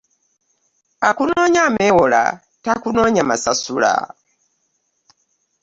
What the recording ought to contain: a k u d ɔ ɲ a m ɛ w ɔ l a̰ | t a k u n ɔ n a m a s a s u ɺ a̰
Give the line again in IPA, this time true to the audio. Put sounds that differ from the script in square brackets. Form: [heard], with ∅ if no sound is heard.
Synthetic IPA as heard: a k u [n] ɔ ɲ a m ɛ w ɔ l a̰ | t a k u n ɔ [ɲ] a m a s a s u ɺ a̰